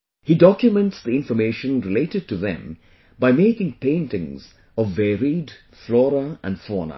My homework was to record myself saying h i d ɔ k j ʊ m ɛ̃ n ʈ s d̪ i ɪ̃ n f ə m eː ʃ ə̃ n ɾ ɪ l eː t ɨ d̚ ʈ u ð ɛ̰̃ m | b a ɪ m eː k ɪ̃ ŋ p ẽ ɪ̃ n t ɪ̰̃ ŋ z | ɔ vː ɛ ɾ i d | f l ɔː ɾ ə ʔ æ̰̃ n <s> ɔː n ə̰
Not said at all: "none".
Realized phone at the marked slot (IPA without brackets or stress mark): f